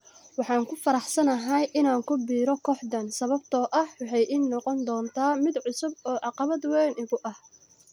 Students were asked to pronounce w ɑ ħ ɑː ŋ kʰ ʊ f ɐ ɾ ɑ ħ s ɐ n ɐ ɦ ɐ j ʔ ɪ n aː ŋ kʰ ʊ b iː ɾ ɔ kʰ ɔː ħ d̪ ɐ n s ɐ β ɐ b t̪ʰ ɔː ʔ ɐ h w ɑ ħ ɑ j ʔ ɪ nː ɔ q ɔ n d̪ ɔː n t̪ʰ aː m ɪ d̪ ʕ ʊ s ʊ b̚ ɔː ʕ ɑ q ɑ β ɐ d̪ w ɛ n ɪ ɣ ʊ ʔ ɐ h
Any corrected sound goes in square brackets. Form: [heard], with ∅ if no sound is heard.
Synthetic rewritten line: w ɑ ħ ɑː ŋ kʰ ʊ f ɐ ɾ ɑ ħ s ɐ n ɐ ɦ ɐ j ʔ ɪ n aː ŋ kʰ ʊ b iː ɾ ɔ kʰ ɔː ħ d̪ ɐ n s ɐ β ɐ b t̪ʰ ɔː ʔ ɐ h w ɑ ħ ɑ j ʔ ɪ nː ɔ q ɔ n d̪ ɔː n t̪ʰ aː m ɪ d̪ ʕ ʊ s ʊ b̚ ɔː ʕ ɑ q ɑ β ɐ d̪ w ɛ n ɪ ɣ ʊ ʔ ɐ h

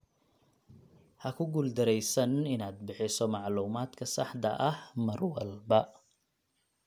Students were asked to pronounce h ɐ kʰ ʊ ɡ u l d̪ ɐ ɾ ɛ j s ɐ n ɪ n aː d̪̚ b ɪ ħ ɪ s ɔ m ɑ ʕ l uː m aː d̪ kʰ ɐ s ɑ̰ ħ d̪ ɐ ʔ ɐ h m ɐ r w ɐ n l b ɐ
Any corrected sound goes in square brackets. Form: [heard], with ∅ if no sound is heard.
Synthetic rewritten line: h ɐ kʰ ʊ ɡ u l d̪ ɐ ɾ ɛ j s ɐ n ɪ n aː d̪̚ b ɪ ħ ɪ s ɔ m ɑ ʕ l uː m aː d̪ kʰ ɐ s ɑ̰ ħ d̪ ɐ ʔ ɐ h m ɐ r w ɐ [∅] l b ɐ

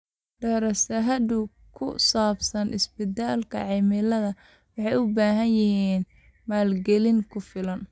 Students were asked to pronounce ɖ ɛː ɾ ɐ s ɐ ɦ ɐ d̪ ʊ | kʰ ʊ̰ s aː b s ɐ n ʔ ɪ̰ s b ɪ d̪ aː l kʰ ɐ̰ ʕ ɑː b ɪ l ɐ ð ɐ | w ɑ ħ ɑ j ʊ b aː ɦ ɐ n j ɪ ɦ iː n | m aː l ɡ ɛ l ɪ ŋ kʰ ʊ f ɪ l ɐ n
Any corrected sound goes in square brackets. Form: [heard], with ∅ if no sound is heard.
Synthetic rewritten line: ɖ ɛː ɾ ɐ s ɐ ɦ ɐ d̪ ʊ | kʰ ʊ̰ s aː b s ɐ n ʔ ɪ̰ s b ɪ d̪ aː l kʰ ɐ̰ ʕ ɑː [m] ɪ l ɐ ð ɐ | w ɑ ħ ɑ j ʊ b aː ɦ ɐ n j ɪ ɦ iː n | m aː l ɡ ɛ l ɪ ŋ kʰ ʊ f ɪ l ɐ n

